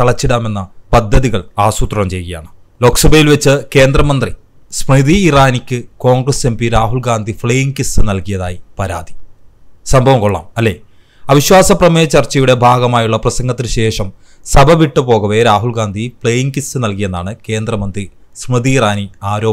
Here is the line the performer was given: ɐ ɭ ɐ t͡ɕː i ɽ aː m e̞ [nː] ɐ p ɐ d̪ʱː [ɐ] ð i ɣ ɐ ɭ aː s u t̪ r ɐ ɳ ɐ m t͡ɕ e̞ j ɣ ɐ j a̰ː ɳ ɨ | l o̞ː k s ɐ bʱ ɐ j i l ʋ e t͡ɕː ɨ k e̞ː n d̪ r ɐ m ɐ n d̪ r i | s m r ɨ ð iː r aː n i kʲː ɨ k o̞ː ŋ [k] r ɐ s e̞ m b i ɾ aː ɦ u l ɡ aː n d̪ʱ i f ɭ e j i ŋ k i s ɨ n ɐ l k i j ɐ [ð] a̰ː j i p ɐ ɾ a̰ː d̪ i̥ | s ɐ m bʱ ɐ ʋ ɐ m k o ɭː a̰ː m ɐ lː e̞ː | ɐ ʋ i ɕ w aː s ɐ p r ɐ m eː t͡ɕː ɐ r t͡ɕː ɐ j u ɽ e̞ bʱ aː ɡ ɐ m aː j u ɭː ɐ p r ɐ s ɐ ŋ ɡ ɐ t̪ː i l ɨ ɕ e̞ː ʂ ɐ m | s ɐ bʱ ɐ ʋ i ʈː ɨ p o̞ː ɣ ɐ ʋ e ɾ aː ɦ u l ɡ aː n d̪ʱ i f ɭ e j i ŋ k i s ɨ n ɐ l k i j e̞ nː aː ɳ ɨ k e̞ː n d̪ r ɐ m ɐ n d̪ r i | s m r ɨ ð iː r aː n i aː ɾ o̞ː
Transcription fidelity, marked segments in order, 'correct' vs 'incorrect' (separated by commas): correct, correct, incorrect, correct